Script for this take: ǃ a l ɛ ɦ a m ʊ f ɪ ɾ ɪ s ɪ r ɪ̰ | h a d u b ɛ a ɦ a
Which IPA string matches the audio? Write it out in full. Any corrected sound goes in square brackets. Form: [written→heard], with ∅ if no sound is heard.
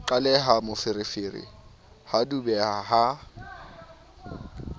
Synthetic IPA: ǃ a l ɛ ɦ a m ʊ f ɪ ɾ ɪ [s→f] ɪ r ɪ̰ | h a d u b ɛ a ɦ a